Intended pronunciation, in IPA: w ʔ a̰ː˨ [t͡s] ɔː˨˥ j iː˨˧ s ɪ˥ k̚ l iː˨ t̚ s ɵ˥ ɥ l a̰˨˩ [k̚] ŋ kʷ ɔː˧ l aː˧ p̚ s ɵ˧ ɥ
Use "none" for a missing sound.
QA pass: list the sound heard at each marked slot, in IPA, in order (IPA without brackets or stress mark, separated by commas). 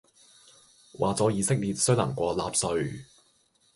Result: t͡s, none